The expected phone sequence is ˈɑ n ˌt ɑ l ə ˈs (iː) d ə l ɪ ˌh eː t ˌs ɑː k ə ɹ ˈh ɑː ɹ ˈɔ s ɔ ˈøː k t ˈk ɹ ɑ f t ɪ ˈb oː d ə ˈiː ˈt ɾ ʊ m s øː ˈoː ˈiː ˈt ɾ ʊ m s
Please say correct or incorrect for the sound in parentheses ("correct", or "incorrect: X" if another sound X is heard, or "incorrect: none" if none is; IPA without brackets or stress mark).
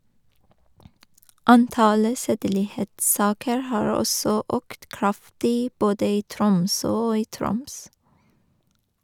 incorrect: eː